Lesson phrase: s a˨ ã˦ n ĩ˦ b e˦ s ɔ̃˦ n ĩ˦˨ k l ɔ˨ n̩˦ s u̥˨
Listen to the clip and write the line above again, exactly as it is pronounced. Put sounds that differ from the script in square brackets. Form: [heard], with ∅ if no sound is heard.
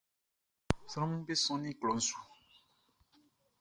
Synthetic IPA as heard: s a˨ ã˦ [m] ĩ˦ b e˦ s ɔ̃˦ n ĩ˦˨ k l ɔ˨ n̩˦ s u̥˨